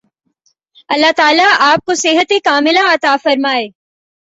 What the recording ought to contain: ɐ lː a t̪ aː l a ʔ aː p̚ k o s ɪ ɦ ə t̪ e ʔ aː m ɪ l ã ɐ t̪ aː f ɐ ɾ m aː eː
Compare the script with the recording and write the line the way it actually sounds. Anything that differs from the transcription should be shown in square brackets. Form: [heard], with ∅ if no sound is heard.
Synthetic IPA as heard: ɐ lː a t̪ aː l a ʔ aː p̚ k o s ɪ ɦ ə t̪ e [k] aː m ɪ l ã ɐ t̪ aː f ɐ ɾ m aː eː